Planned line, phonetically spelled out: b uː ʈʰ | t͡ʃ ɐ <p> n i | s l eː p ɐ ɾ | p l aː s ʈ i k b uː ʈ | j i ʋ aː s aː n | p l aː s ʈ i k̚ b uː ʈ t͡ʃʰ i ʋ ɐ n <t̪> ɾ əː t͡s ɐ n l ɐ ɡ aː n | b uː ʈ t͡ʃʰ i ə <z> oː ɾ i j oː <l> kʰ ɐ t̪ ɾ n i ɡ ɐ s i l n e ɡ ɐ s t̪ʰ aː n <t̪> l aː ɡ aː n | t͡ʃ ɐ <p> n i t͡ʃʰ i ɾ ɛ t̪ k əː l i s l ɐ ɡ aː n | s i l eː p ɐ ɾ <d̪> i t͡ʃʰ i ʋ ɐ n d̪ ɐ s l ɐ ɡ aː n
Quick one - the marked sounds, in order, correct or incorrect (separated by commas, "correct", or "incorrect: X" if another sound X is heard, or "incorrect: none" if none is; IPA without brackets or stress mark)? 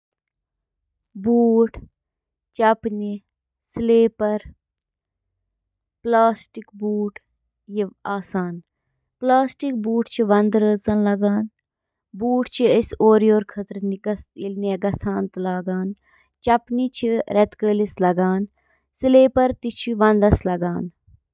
correct, incorrect: d̪, incorrect: s, incorrect: ɾ, correct, correct, incorrect: t̪